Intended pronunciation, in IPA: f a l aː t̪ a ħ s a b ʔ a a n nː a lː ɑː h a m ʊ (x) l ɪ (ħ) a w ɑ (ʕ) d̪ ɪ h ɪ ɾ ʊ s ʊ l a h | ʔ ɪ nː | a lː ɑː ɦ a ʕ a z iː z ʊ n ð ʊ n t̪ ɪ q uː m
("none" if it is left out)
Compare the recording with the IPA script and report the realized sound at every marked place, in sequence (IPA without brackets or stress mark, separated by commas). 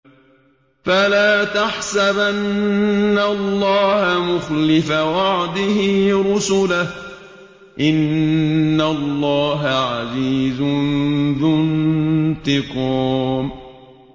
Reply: x, f, ʕ